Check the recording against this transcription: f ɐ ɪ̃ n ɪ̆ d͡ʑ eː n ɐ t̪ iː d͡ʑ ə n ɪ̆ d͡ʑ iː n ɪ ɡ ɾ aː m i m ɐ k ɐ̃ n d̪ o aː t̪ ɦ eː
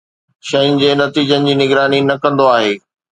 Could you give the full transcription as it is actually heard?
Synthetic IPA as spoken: ʃ ɐ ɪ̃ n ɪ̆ d͡ʑ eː n ɐ t̪ iː d͡ʑ ə n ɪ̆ d͡ʑ iː n ɪ ɡ ɾ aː n i n ɐ k ɐ̃ n d̪ o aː ɦ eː